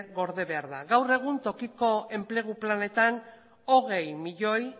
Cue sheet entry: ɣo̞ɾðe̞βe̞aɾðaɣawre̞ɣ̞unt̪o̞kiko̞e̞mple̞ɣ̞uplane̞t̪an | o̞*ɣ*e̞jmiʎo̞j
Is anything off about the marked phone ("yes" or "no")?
no